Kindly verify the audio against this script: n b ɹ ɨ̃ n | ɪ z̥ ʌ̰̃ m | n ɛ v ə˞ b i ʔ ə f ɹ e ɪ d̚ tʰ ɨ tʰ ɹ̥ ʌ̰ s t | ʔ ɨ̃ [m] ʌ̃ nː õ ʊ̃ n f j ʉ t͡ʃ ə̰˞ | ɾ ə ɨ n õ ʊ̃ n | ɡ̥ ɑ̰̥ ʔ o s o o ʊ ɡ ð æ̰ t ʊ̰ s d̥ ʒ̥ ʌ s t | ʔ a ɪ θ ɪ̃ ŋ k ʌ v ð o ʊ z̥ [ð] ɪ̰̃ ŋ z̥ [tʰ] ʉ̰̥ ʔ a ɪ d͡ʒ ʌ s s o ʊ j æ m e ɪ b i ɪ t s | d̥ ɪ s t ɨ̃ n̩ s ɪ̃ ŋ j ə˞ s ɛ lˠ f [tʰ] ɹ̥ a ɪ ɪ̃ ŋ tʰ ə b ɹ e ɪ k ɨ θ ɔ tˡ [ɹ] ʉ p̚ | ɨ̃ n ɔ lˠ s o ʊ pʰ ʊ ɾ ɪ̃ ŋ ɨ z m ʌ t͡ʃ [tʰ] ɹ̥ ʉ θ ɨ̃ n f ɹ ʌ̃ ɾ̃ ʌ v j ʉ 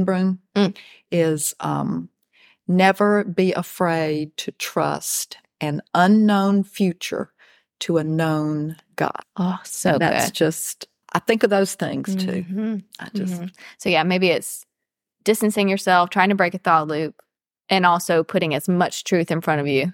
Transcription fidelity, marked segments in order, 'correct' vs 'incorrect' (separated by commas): incorrect, incorrect, correct, correct, incorrect, correct